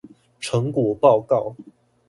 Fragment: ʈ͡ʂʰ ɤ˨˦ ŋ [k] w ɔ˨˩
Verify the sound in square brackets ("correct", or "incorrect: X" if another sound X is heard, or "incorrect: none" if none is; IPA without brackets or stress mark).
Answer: correct